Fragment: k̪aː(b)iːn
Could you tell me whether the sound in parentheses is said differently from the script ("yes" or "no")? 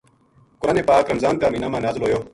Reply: yes